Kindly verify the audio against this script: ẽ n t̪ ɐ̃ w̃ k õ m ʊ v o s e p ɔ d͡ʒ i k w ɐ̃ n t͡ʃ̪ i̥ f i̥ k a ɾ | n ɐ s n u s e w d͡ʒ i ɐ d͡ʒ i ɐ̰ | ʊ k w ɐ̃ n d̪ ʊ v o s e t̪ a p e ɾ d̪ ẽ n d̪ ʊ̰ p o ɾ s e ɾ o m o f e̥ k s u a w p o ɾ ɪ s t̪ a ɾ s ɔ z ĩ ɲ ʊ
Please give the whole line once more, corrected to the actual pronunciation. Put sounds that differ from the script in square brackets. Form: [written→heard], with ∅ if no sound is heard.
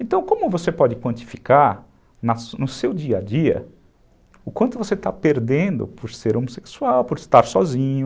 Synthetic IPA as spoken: ẽ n t̪ ɐ̃ w̃ k õ m ʊ v o s e p ɔ d͡ʒ [i→ɪ] k w ɐ̃ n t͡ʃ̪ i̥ f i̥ k a ɾ | n ɐ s n [u→ʊ] s e w d͡ʒ i ɐ d͡ʒ i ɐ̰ | ʊ k w ɐ̃ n [d̪→t̪] ʊ v o s e t̪ a p e ɾ d̪ ẽ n d̪ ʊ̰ p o ɾ s e ɾ o m o [f→s] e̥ k s u a w p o ɾ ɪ s t̪ a ɾ s ɔ z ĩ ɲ ʊ